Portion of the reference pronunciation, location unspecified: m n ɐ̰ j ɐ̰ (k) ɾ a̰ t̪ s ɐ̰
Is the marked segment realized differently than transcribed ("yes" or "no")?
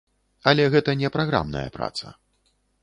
yes